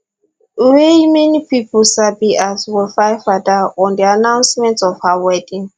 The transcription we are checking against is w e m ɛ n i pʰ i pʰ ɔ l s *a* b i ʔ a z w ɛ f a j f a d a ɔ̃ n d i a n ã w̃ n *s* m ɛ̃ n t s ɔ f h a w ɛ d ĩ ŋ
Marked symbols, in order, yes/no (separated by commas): yes, yes